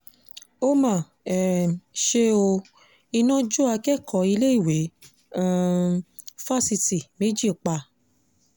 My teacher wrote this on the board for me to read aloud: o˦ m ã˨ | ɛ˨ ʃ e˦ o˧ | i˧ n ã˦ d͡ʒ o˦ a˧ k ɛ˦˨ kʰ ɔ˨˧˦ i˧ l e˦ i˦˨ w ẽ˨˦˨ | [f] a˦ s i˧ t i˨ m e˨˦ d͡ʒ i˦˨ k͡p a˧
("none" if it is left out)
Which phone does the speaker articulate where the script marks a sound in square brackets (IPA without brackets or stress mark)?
f